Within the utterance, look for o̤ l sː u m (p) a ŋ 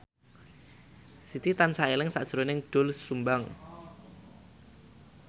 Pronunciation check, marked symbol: incorrect: b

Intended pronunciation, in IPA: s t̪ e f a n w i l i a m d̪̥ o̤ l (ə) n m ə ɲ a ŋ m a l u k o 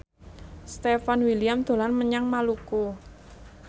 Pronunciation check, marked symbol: incorrect: a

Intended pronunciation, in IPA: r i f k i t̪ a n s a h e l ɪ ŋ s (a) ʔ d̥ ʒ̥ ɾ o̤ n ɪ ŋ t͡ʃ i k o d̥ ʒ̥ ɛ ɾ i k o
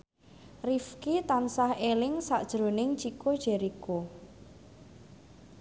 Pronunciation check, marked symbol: correct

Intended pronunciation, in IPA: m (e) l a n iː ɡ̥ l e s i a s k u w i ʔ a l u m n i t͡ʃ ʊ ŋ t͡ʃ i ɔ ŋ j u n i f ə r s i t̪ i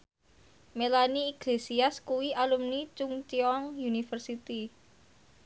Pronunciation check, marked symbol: correct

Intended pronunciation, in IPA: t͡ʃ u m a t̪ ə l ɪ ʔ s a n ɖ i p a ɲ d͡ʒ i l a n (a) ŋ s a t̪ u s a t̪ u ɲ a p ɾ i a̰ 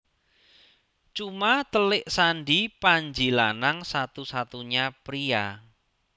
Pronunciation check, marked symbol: correct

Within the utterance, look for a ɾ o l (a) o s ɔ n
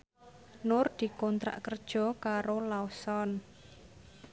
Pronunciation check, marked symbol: correct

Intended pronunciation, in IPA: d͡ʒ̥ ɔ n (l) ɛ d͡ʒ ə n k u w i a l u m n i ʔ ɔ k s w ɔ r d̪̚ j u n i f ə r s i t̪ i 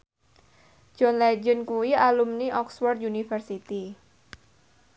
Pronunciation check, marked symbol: correct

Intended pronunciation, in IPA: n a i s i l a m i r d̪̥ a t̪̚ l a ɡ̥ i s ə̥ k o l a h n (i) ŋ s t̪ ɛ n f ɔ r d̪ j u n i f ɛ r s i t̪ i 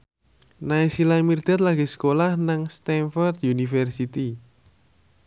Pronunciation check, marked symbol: incorrect: a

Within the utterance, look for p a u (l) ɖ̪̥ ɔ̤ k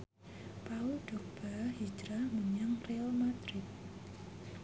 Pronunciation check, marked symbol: correct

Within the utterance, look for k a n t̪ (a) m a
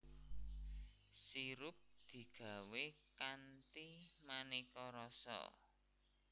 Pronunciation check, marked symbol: incorrect: i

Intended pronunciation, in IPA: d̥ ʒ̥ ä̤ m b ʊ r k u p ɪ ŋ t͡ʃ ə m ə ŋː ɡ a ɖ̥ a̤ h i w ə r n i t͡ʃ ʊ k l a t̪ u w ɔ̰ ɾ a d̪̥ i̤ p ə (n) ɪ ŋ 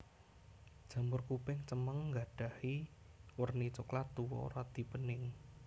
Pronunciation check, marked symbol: correct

